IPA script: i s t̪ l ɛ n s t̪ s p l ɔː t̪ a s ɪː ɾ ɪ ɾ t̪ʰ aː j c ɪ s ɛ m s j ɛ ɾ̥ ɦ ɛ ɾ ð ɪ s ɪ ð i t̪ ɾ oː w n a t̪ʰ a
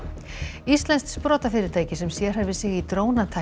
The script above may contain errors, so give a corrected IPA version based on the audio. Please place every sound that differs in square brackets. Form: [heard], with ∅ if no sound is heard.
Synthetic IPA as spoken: i s t̪ l ɛ n s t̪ s p [ɾ] ɔː t̪ a [f] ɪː ɾ ɪ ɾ t̪ʰ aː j c ɪ s ɛ m s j ɛ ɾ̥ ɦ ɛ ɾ [v] ɪ s ɪ [ɣ] i t̪ ɾ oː w n a t̪ʰ a